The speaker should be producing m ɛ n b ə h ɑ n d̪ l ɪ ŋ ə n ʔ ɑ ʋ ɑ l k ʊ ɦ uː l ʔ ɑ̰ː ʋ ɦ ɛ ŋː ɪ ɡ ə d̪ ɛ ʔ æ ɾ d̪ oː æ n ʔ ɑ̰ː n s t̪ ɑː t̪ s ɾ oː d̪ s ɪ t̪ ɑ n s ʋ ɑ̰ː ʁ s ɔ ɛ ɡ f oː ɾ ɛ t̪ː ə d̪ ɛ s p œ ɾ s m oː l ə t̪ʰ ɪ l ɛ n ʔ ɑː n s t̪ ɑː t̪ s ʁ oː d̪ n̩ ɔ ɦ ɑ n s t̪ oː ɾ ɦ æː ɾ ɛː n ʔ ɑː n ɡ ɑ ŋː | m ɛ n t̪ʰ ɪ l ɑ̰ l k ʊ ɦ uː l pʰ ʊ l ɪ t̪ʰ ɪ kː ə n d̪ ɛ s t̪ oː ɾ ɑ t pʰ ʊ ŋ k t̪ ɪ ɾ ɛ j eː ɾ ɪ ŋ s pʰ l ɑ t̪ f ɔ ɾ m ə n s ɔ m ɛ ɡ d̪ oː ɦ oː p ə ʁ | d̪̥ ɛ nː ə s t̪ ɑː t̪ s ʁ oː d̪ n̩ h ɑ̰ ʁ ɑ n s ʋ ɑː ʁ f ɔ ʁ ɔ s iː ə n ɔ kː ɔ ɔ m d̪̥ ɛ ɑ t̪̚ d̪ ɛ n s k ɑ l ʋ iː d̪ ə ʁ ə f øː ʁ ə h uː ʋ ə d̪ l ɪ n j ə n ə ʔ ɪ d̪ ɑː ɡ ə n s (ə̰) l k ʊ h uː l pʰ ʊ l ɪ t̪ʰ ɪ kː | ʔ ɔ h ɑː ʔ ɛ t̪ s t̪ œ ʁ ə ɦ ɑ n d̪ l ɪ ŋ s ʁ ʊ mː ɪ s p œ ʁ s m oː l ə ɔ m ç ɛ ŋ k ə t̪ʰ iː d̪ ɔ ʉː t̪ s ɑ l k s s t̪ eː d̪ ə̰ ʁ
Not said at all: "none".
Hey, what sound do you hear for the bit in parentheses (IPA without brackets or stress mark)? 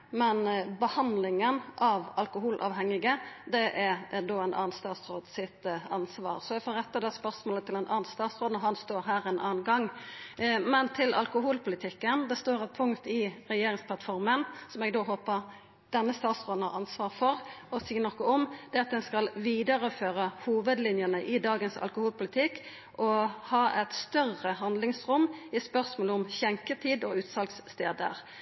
ɑ̰